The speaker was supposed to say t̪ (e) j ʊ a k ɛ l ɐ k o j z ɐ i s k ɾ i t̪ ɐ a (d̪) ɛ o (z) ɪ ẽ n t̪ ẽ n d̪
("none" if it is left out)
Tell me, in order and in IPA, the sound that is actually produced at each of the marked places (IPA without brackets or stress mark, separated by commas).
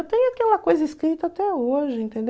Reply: ẽ, t̪, ʒ